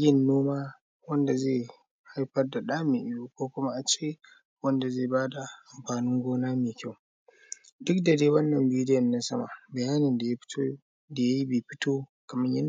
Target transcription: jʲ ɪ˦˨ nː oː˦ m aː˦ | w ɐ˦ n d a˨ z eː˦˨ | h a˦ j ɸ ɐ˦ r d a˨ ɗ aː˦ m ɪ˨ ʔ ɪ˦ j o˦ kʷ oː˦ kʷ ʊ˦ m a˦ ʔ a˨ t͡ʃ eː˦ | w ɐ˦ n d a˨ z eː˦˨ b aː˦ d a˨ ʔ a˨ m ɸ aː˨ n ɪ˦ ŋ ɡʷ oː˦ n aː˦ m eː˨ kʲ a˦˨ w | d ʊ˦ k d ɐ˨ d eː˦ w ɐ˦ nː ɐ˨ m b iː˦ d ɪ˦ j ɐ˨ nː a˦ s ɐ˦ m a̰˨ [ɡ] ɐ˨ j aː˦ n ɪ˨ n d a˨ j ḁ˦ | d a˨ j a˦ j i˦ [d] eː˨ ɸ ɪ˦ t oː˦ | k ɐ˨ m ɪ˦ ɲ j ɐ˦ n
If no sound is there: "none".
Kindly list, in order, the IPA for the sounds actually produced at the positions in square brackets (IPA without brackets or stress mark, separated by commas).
b, b